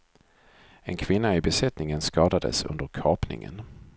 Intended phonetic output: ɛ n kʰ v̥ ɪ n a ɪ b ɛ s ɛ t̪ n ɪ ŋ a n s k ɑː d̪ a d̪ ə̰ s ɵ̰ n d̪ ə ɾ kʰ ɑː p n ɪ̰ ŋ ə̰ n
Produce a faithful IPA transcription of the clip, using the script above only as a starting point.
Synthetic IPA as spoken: ɛ n kʰ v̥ ɪ nː a ɪ b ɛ s ɛ t̪ n ɪ ŋ ə n s k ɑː d̪ a d̪ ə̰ s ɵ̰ n d̪ ə ɾ kʰ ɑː p n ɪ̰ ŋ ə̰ n